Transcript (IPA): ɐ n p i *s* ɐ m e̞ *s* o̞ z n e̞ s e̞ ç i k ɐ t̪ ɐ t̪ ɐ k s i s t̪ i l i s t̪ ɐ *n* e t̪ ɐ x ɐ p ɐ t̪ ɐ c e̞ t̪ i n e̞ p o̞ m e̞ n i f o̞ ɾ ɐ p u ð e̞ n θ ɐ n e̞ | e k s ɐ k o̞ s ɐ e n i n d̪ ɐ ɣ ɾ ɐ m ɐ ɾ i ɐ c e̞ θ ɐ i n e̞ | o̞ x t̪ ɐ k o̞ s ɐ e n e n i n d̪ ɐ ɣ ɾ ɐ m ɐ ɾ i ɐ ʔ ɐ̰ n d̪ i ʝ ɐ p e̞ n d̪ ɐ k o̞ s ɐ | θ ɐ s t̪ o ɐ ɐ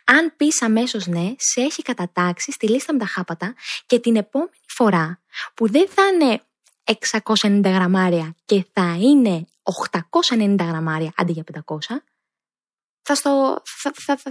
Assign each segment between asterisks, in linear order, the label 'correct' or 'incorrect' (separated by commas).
correct, correct, incorrect